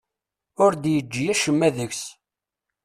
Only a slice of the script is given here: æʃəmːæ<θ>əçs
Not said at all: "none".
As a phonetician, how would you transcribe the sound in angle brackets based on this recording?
ð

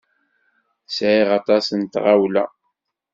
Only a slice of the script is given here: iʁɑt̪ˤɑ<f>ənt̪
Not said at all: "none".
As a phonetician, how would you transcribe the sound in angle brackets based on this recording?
s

